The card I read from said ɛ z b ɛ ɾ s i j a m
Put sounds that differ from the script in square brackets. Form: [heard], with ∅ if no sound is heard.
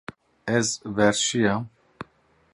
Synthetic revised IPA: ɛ z [v] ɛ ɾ [ʃ] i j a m